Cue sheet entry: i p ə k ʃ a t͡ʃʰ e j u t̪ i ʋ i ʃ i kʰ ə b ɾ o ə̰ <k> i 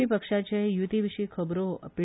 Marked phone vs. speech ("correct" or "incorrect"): incorrect